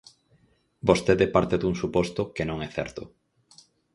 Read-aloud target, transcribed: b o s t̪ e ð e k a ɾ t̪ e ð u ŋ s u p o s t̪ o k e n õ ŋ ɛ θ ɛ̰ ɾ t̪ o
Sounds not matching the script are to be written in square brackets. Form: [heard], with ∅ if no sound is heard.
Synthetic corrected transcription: b o s t̪ e ð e [p] a ɾ t̪ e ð u ŋ s u p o s t̪ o k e n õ ŋ ɛ θ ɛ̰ ɾ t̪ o